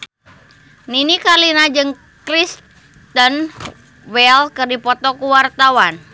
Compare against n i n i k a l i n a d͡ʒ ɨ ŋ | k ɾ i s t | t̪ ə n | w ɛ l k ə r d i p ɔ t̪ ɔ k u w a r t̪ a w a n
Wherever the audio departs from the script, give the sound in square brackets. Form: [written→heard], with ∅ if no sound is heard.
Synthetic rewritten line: n i n i k a l i n a d͡ʒ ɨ ŋ | k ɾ i s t | t̪ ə n | w ɛ l k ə r d i p ɔ t̪ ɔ k u w a r t̪ a w a n